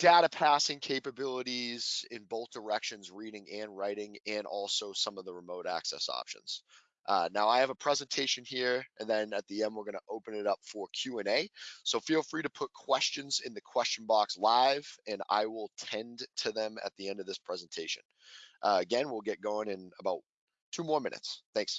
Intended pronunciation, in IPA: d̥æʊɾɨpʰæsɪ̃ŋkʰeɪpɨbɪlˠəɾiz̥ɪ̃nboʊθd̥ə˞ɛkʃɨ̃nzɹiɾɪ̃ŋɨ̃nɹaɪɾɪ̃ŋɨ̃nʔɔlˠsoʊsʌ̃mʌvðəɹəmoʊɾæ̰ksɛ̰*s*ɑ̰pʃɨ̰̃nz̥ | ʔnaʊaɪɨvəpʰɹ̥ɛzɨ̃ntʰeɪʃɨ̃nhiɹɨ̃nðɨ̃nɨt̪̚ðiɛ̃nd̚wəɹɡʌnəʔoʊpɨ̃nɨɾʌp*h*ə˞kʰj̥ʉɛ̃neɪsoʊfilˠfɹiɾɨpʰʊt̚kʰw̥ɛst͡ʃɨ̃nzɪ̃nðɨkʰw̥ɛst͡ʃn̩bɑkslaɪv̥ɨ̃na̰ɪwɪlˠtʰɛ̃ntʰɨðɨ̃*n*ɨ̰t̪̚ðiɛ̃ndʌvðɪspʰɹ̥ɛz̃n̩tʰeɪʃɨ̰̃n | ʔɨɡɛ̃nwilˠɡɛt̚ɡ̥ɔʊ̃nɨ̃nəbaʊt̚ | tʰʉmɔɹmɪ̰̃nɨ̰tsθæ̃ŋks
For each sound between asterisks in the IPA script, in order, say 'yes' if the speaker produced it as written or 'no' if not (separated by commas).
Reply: yes, no, no